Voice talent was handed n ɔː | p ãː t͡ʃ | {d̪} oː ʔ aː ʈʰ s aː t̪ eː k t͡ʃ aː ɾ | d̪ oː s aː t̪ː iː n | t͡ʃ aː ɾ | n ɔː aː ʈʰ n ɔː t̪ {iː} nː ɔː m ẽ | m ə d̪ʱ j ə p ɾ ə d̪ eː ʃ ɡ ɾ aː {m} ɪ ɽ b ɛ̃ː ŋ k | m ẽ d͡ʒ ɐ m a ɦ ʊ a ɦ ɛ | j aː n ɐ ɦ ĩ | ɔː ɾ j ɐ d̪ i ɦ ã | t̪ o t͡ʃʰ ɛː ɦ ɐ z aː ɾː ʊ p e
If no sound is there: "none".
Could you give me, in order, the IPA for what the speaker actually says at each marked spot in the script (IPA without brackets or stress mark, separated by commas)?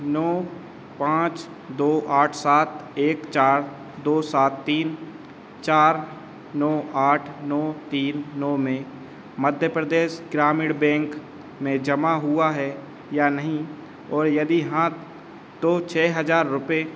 d̪, iː, m